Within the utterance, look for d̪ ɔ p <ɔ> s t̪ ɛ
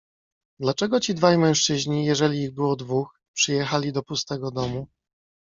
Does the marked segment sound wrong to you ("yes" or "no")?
yes